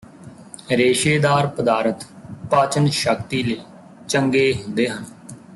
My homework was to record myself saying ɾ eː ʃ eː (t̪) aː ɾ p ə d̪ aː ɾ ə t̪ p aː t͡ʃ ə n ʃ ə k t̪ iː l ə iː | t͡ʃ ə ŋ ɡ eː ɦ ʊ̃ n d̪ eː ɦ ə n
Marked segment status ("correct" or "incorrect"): incorrect